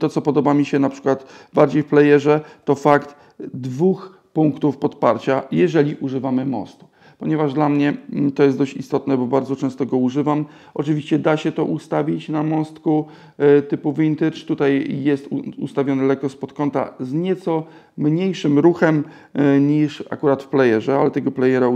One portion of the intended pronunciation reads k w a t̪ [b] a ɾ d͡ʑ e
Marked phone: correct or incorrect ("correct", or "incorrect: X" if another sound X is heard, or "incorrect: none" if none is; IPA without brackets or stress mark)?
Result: correct